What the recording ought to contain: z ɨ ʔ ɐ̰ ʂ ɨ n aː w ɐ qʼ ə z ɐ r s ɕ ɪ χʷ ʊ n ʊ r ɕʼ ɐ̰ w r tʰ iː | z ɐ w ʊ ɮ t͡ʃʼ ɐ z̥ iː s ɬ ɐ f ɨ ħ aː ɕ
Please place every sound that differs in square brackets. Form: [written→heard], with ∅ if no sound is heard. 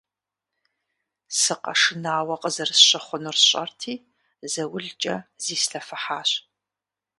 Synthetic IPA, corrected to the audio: [z→s] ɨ [ʔ→q] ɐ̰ ʂ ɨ n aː w ɐ qʼ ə z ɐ r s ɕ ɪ χʷ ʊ n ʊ r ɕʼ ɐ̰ [w→∅] r tʰ iː | z ɐ w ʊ ɮ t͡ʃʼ ɐ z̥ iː s ɬ ɐ f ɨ ħ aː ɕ